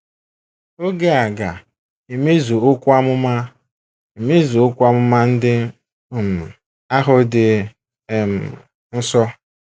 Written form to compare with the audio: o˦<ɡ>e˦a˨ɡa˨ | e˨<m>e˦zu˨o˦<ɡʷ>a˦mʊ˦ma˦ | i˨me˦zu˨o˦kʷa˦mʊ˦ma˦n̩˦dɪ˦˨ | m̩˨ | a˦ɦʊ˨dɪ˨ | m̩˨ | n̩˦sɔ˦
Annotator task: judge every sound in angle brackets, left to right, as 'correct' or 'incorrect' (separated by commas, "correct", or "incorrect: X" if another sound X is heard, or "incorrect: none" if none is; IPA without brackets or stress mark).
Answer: correct, correct, incorrect: kʷ